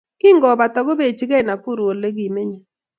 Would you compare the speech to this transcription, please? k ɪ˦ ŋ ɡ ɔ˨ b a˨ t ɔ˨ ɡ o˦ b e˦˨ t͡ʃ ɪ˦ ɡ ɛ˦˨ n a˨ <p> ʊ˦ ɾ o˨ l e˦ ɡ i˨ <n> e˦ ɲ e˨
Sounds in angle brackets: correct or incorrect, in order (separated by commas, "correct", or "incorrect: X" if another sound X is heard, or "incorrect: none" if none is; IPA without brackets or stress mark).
incorrect: k, incorrect: m